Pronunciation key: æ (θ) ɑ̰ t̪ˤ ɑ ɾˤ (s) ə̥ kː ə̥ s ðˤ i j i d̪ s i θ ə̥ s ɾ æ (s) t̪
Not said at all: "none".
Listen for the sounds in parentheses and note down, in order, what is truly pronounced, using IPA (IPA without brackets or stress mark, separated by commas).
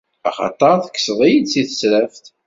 χ, θ, f